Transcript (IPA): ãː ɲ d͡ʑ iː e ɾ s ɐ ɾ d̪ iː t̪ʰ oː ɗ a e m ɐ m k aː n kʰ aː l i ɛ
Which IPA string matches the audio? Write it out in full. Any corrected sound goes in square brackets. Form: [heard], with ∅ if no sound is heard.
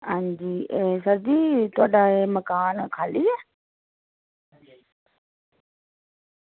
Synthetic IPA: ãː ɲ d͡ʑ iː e [∅] s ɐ ɾ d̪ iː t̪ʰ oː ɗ a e m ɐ [∅] k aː n kʰ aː l i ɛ